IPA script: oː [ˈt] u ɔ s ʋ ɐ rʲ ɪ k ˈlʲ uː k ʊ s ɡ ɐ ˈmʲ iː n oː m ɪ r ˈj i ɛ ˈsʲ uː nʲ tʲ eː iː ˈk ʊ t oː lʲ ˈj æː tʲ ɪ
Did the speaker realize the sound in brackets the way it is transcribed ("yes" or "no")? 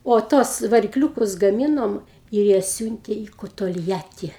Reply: yes